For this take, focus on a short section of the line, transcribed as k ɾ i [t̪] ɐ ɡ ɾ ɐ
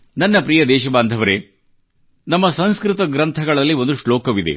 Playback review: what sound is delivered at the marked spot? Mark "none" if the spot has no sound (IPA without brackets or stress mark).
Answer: t̪